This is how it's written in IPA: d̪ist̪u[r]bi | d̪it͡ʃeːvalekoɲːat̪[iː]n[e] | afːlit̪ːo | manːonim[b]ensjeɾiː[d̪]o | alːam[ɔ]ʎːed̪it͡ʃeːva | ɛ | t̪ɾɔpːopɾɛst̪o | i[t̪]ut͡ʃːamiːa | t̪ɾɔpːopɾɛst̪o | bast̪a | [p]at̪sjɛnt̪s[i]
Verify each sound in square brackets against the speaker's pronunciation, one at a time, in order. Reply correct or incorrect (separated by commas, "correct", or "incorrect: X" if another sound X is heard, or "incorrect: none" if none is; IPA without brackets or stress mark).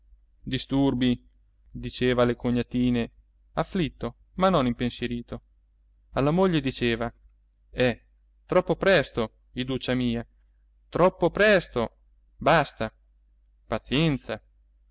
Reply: correct, correct, correct, incorrect: p, incorrect: t̪, incorrect: o, incorrect: d̪, correct, incorrect: a